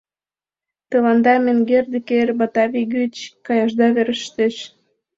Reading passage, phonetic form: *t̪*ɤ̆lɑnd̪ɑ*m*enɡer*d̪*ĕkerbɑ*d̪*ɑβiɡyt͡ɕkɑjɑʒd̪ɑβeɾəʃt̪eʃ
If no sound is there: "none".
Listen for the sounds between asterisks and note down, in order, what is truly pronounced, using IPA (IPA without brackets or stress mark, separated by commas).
t̪, m, d̪, t̪